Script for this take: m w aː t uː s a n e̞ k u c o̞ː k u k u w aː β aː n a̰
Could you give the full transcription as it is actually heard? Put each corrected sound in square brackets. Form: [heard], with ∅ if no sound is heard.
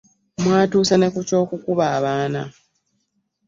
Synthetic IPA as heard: m w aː t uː s a n e̞ k u c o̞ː k u k u [β] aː β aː n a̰